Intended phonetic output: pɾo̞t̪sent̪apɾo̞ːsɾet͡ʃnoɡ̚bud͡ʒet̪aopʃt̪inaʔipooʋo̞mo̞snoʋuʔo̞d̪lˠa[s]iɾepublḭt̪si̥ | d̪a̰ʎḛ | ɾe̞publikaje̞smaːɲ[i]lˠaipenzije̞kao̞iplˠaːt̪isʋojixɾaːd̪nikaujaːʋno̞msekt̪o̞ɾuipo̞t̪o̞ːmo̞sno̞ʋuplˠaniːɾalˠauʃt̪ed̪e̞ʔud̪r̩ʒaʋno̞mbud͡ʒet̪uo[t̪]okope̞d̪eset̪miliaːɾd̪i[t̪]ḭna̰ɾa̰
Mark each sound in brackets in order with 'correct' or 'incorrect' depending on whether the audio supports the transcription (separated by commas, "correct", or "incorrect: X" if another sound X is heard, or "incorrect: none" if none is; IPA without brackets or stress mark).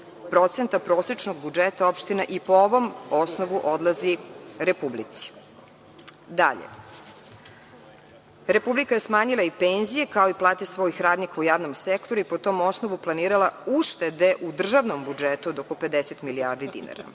incorrect: z, correct, incorrect: d̪, incorrect: d̪